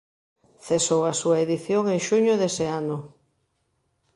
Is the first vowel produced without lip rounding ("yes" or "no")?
yes